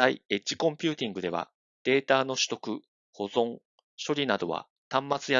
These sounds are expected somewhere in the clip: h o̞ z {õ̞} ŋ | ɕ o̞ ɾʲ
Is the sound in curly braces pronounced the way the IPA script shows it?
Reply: yes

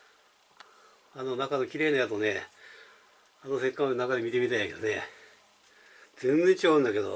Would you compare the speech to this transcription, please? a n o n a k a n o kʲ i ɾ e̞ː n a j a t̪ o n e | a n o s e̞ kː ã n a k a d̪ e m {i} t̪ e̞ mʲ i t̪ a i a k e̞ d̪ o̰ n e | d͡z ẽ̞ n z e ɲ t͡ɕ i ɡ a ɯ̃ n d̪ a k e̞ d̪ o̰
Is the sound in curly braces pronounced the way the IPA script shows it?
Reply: yes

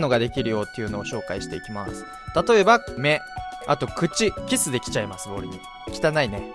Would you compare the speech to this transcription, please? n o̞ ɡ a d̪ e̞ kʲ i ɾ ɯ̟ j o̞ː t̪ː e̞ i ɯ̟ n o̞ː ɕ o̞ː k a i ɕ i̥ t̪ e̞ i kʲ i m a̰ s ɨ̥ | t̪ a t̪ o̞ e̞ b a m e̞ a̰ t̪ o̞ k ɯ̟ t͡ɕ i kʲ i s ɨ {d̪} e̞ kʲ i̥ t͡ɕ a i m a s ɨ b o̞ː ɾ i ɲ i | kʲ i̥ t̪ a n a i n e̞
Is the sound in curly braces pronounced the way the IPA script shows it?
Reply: yes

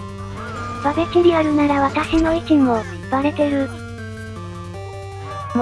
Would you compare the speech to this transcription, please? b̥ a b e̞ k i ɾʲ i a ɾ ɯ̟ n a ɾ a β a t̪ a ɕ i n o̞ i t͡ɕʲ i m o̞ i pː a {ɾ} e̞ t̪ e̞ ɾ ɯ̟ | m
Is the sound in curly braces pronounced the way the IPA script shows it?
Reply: yes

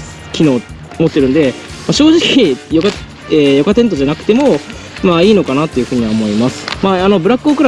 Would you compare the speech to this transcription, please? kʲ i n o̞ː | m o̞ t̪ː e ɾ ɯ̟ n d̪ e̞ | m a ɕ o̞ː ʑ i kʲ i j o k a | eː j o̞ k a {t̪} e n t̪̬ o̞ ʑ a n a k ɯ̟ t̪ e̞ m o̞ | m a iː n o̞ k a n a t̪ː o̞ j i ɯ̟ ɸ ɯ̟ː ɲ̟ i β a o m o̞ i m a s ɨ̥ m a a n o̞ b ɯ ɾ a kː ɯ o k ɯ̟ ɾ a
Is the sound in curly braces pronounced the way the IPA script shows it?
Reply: yes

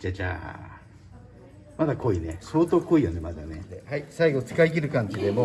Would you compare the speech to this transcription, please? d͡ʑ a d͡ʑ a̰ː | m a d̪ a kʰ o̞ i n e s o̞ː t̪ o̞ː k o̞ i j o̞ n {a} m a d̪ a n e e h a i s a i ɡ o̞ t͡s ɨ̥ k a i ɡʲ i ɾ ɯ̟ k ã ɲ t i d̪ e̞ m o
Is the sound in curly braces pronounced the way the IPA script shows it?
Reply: no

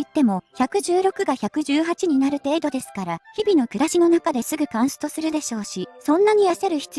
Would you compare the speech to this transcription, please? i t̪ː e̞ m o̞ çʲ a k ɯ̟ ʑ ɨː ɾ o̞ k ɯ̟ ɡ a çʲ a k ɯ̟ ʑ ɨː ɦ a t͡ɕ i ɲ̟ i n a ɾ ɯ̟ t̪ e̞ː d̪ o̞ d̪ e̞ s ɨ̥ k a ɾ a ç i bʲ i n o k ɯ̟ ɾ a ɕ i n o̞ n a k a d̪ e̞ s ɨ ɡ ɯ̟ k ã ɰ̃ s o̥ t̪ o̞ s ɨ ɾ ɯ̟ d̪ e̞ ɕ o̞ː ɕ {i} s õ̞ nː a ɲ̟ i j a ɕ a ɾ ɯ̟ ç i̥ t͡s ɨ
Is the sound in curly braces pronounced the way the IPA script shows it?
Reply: yes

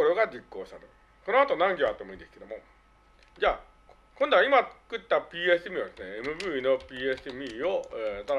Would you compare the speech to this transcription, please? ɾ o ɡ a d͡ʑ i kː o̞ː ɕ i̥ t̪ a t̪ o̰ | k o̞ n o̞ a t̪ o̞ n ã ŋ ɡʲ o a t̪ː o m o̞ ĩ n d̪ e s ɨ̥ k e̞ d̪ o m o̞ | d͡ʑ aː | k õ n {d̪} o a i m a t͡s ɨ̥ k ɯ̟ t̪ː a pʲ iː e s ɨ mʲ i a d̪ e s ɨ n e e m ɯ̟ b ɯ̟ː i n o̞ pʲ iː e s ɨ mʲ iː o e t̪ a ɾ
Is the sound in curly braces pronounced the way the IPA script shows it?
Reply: yes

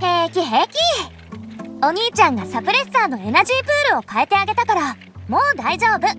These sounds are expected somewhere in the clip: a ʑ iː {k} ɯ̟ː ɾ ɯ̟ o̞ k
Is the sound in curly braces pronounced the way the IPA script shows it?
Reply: no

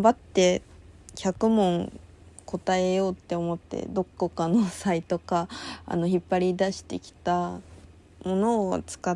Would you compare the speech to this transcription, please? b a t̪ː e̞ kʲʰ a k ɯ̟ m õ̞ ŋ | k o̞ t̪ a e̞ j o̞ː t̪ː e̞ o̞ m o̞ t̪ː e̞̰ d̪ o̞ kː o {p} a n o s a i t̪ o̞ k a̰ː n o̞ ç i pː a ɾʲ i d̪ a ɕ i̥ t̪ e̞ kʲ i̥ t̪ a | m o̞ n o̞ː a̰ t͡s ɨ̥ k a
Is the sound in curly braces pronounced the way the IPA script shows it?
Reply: no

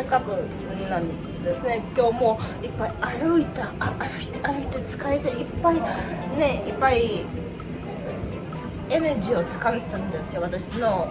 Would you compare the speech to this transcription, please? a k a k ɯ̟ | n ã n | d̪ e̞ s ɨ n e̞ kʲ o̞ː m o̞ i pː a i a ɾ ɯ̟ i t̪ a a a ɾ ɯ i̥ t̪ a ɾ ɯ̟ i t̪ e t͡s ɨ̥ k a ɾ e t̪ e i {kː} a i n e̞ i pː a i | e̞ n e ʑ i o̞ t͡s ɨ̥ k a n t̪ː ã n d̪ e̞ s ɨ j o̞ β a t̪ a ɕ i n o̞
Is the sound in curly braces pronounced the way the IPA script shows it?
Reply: no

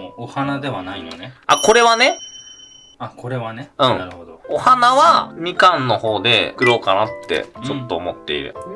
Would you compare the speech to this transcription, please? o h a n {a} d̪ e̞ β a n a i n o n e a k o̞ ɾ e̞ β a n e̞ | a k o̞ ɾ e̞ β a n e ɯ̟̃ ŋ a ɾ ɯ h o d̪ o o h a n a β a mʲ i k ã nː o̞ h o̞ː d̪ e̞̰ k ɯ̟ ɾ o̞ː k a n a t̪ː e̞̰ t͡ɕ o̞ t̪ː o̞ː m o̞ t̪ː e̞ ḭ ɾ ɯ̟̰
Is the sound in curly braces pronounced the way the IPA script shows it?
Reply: yes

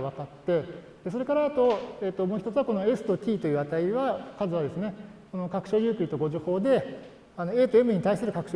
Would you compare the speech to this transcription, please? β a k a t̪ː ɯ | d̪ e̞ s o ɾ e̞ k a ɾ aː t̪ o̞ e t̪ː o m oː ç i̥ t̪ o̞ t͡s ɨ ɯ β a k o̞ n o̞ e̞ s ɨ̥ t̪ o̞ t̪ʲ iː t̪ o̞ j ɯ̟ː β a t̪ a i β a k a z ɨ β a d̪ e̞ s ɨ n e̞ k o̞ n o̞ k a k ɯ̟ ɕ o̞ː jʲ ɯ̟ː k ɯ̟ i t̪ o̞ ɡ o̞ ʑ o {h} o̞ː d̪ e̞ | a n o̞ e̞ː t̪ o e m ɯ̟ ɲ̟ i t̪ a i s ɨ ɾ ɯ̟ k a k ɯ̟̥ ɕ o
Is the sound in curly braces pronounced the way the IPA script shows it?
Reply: yes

